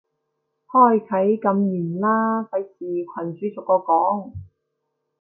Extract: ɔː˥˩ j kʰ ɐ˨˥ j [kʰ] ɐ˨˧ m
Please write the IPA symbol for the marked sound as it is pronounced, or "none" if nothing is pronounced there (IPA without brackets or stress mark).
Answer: k